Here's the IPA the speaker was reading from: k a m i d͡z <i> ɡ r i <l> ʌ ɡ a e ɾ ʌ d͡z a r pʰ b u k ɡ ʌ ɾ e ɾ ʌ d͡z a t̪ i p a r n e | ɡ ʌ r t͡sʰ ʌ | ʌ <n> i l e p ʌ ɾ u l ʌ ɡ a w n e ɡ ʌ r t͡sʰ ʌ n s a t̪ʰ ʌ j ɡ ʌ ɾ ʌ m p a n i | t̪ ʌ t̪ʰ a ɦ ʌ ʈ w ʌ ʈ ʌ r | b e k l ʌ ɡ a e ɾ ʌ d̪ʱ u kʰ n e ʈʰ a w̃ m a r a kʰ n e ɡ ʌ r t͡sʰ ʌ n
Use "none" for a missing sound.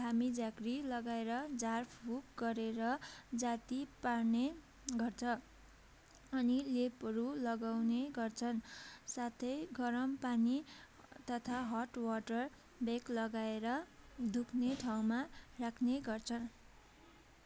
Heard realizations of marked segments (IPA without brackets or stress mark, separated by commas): a, l, n